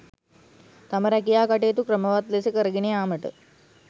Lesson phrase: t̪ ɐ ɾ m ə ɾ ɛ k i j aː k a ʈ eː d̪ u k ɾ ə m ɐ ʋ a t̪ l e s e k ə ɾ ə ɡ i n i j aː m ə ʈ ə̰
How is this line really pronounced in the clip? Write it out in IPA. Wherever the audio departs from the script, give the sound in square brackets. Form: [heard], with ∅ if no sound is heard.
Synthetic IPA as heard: t̪ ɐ [∅] m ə ɾ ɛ k i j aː k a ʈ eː [t̪] u k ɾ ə m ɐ ʋ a t̪ l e s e k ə ɾ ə ɡ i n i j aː m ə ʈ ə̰